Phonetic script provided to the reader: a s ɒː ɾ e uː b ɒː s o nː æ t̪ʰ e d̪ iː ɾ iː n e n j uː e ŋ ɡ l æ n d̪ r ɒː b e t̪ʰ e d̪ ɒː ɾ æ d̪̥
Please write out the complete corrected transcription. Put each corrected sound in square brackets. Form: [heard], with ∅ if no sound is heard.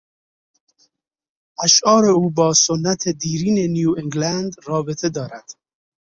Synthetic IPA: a [ʃ] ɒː ɾ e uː b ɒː s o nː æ t̪ʰ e d̪ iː ɾ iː n e n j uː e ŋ ɡ l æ n d̪ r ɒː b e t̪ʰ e d̪ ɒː ɾ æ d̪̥